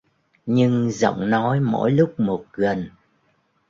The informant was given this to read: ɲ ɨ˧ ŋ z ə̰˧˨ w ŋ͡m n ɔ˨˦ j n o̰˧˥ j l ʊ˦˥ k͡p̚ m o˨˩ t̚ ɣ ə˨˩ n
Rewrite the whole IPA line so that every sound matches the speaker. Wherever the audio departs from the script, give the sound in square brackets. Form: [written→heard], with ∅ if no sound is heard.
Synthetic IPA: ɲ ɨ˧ ŋ z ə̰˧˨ w ŋ͡m n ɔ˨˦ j [n→m] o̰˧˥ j l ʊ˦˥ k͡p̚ m o˨˩ t̚ ɣ ə˨˩ n